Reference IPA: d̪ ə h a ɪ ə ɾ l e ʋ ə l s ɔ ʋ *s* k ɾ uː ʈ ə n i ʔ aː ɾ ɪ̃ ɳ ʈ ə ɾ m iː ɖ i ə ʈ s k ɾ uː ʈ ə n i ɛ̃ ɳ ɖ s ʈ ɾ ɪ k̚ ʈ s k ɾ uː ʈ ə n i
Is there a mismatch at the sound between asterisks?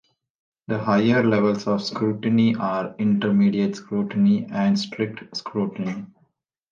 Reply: no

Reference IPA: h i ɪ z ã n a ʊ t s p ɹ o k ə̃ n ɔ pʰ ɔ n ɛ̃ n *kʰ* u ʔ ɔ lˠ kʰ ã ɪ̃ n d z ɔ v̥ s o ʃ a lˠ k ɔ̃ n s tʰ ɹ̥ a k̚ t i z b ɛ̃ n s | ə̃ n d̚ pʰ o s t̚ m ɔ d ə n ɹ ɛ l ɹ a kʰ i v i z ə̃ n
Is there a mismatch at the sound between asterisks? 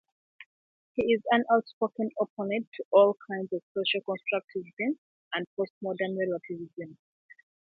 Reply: yes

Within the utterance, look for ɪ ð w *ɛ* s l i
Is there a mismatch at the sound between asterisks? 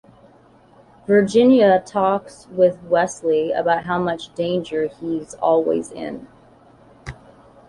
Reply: no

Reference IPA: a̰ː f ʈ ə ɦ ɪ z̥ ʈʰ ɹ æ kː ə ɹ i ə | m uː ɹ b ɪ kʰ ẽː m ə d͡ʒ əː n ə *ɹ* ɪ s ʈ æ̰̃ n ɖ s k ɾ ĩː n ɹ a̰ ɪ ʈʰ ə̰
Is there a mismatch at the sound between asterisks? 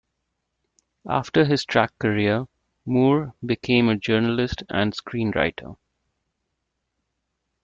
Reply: yes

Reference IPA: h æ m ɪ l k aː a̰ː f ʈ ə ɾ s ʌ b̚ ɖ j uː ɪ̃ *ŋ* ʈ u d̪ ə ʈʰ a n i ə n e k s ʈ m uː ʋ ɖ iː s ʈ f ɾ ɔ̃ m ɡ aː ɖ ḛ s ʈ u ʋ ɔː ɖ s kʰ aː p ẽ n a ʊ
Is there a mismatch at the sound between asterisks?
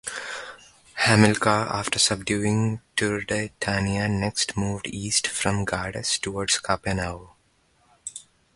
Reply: no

